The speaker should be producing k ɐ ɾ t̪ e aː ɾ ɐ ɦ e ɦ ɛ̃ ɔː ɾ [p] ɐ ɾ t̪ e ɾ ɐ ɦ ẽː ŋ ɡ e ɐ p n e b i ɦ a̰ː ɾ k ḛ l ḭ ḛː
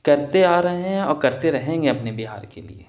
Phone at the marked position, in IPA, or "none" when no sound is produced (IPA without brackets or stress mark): k